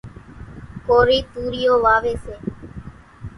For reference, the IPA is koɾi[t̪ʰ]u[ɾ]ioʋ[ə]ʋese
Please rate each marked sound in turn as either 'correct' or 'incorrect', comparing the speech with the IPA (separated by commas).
incorrect, correct, incorrect